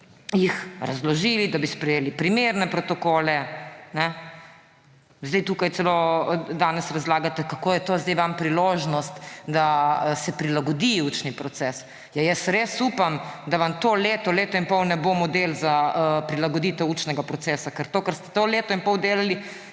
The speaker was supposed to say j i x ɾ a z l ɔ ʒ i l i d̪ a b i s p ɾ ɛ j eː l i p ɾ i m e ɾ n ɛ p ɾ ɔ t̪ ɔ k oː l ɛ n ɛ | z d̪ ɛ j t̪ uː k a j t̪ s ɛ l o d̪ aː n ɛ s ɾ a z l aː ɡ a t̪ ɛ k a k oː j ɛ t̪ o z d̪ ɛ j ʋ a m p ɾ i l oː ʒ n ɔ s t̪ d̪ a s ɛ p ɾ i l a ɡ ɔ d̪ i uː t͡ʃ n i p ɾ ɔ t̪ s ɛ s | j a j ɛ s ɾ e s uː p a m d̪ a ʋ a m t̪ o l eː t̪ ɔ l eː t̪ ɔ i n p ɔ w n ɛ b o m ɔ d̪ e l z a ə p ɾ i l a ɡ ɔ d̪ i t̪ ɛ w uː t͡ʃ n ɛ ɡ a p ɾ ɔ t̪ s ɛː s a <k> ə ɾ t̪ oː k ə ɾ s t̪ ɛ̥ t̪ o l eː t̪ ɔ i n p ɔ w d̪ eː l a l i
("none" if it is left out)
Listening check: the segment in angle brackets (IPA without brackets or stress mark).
k